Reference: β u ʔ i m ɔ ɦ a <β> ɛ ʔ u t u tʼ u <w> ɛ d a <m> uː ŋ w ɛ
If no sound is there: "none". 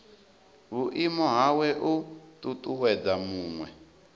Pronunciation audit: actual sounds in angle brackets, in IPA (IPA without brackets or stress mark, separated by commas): w, w, m